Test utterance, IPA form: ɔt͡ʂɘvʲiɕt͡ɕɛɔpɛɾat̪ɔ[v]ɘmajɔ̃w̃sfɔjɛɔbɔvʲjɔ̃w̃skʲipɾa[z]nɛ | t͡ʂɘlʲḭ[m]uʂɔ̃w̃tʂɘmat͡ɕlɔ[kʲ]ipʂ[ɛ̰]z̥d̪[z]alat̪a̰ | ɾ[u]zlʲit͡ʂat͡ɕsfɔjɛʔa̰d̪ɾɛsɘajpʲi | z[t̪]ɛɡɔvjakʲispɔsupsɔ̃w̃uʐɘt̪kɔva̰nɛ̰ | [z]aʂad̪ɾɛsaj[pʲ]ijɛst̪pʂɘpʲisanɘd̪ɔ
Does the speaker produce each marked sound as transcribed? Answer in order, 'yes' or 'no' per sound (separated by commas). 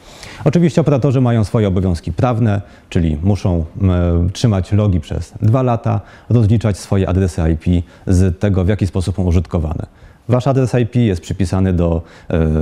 no, no, yes, no, yes, no, no, yes, no, yes